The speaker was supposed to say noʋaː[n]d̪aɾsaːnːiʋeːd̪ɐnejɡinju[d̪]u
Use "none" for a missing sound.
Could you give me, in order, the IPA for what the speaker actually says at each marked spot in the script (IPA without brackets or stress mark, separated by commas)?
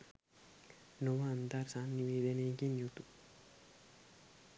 n, t̪